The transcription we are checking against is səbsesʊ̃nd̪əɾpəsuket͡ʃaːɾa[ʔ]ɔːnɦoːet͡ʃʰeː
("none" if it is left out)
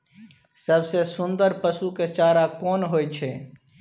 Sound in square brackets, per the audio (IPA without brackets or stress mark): k